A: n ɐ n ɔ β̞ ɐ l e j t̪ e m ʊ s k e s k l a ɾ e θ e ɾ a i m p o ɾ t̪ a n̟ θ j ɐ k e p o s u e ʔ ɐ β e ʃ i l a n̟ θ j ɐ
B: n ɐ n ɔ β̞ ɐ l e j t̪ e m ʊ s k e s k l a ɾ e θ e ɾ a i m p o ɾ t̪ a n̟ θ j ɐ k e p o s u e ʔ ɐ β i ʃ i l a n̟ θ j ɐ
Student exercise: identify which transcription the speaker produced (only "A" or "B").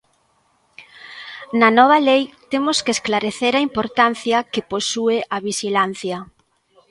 B